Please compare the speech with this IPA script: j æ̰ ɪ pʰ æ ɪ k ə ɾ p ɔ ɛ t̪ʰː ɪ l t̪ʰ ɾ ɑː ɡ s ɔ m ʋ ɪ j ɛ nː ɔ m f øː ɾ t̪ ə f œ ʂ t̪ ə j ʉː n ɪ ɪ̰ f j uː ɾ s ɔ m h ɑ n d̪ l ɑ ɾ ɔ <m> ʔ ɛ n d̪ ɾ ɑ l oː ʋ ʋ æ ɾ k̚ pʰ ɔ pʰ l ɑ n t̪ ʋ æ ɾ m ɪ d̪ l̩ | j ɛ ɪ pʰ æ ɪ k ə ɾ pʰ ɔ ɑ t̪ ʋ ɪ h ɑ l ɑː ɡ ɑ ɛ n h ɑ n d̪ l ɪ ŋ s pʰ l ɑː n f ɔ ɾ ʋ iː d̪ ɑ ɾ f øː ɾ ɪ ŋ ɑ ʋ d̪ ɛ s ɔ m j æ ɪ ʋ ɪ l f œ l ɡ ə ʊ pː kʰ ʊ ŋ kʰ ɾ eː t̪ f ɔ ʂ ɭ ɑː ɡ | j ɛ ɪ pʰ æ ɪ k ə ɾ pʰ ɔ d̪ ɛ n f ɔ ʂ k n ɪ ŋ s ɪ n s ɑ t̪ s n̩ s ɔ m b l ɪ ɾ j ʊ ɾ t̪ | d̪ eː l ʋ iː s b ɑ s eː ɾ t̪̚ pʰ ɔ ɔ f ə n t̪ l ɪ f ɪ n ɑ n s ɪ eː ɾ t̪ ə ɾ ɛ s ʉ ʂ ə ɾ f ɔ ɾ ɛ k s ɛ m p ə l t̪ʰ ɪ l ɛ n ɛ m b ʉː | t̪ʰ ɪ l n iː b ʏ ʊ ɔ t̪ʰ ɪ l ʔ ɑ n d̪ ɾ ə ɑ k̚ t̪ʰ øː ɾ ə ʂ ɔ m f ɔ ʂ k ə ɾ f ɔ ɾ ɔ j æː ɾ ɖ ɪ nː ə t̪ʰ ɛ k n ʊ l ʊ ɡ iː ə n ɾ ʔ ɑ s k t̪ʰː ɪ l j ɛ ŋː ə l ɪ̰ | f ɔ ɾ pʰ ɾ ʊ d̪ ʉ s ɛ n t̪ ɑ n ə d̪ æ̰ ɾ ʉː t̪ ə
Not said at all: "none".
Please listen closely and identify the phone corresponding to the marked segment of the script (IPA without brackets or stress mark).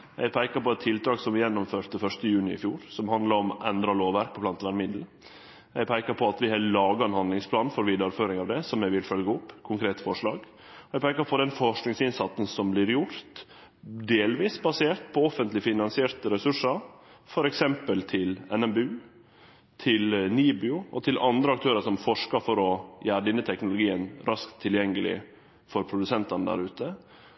m